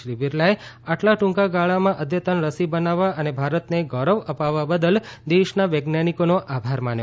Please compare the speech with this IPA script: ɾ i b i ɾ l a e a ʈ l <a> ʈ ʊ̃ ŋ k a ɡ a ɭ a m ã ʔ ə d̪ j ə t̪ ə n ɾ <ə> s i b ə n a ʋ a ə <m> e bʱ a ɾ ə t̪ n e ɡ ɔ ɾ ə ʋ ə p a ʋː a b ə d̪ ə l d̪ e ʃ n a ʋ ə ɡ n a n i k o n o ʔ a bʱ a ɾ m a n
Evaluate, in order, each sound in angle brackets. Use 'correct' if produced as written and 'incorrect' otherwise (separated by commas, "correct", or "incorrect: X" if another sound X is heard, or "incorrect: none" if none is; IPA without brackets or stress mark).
correct, correct, incorrect: n